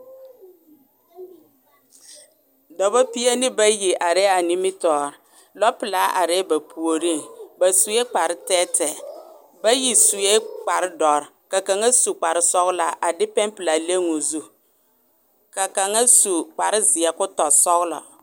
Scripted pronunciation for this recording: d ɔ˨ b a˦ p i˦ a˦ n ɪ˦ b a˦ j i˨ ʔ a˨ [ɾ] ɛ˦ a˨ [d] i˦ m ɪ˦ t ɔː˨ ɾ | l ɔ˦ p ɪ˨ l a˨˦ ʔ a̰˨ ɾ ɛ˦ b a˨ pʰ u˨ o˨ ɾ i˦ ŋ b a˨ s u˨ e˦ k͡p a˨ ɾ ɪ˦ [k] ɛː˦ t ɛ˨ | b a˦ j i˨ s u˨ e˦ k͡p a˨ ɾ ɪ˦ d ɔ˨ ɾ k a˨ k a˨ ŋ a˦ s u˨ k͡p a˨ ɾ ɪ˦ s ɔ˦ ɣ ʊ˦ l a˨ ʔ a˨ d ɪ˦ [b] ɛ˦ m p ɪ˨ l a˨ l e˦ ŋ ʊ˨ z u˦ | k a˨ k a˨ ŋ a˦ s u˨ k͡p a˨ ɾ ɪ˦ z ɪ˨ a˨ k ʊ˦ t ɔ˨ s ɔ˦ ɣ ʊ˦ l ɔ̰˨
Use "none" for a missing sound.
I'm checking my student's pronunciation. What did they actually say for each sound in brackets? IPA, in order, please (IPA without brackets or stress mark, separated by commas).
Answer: ɾ, n, t, p